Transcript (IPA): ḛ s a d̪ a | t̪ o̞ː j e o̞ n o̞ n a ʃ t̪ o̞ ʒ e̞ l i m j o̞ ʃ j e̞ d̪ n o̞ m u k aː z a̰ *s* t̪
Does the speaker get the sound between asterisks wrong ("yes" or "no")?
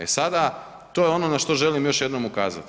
yes